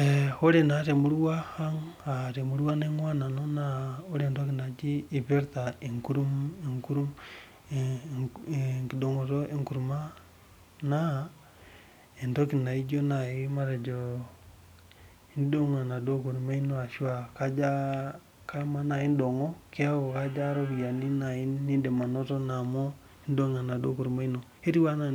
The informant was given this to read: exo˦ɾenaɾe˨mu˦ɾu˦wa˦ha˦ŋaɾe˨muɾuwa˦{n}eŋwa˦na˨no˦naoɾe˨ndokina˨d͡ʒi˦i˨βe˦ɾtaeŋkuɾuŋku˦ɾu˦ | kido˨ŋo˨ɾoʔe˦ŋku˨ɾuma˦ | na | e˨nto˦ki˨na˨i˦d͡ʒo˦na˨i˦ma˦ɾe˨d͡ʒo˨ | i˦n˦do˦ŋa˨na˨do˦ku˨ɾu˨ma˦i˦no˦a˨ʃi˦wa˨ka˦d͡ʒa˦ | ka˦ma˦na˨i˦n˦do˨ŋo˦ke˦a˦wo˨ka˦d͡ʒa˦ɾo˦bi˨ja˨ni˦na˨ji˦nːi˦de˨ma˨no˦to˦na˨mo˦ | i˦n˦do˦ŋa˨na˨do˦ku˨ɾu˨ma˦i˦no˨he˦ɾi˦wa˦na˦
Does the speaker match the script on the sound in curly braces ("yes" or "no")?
yes